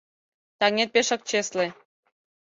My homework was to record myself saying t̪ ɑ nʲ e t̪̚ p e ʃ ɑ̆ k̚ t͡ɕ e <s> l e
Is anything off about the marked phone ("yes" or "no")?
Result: no